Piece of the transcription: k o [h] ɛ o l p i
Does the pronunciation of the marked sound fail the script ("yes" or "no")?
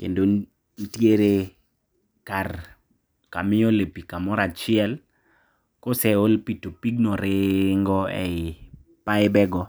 yes